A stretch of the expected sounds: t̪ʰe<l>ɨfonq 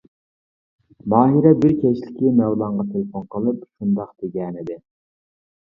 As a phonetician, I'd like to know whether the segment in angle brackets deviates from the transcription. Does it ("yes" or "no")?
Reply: no